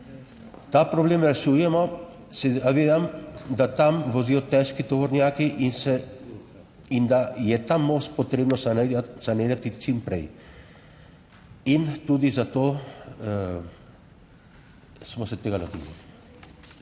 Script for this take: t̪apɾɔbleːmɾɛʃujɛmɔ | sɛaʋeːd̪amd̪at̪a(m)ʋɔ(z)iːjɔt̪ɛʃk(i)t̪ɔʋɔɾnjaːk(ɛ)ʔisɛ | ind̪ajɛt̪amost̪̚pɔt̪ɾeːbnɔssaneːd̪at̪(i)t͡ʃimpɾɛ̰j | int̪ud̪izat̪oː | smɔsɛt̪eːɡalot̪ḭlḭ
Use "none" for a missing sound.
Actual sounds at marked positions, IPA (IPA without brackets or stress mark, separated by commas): m, z, i, i, i